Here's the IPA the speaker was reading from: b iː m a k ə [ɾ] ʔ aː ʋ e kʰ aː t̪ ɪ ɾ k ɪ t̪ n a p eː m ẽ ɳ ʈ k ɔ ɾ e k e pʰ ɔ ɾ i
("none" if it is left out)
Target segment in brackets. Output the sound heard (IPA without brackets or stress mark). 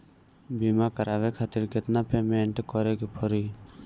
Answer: ɾ